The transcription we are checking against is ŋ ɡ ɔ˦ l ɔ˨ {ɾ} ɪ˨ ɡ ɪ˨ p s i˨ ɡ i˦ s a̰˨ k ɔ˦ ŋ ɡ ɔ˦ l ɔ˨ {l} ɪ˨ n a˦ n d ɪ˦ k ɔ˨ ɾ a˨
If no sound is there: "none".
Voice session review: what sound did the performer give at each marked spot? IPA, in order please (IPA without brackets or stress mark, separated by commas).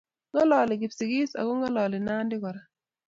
l, l